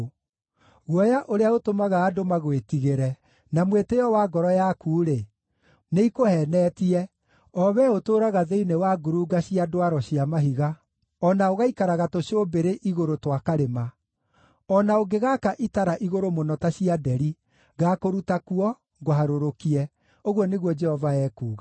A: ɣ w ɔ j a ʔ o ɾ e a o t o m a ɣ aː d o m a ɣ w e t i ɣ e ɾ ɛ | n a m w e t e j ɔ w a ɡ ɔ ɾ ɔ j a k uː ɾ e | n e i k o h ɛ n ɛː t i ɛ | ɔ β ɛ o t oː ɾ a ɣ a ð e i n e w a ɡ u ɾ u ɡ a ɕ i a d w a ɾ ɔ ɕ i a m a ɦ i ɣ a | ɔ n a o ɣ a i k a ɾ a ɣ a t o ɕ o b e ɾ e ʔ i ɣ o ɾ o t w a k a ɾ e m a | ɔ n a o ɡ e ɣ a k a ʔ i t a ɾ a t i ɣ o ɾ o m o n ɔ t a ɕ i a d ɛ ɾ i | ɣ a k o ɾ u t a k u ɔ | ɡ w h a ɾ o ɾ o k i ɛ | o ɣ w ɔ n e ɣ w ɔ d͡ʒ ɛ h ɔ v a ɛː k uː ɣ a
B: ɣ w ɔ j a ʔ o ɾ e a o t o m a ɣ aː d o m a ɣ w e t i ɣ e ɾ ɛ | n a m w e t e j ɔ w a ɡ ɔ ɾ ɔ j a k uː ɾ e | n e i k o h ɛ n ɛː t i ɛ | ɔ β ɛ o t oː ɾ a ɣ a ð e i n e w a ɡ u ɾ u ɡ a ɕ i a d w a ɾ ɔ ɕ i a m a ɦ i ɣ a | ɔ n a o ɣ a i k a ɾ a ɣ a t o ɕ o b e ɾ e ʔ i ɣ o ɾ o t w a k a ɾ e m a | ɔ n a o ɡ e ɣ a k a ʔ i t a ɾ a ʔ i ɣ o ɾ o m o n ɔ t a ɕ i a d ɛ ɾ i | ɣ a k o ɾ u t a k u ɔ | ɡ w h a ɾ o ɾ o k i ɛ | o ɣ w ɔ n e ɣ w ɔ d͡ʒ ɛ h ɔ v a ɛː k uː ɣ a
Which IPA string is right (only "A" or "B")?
B